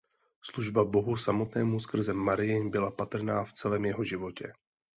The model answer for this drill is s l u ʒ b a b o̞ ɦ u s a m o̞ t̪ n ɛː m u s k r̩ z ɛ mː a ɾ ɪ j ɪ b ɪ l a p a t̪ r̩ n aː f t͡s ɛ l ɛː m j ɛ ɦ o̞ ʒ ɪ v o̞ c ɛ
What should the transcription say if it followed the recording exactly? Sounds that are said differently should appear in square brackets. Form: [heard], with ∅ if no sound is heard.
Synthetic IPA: s l u ʒ b a b o̞ ɦ u s a m o̞ t̪ n ɛː m u s k r̩ z ɛ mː a ɾ ɪ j ɪ b ɪ l a p a t̪ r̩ n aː f t͡s ɛ l ɛː m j ɛ ɦ o̞ ʒ ɪ v o̞ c ɛ